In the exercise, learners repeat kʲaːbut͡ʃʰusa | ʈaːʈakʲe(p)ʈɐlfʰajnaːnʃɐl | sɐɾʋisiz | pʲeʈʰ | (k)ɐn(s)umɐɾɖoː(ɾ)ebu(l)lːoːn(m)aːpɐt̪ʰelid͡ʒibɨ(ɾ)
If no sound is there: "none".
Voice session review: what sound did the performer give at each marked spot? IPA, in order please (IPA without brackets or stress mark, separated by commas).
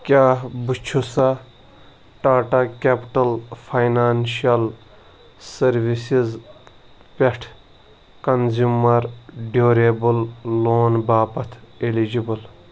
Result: p, k, z, ɾ, l, b, l